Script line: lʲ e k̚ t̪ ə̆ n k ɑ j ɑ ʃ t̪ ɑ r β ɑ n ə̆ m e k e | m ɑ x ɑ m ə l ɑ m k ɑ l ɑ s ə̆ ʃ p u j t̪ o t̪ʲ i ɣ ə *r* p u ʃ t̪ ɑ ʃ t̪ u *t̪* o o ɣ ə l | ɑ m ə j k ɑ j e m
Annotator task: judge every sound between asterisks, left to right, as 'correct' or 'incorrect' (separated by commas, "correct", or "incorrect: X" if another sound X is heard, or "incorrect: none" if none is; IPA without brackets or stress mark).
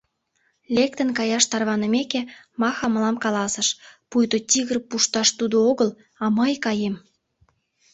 correct, incorrect: d̪